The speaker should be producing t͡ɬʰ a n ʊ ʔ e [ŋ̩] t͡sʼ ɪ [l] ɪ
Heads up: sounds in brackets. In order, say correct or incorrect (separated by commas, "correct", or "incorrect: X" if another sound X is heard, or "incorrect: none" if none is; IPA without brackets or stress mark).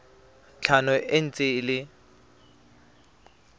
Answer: incorrect: n̩, correct